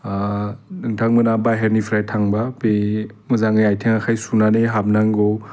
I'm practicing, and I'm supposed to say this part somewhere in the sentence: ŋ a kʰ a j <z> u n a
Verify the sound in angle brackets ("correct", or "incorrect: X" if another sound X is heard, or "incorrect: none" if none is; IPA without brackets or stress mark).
incorrect: s